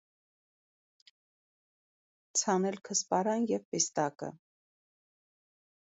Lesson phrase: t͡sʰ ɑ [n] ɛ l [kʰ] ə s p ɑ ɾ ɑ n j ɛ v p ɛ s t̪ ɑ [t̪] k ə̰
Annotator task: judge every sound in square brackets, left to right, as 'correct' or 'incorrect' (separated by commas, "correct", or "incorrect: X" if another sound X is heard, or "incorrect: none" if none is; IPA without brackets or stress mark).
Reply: correct, correct, incorrect: none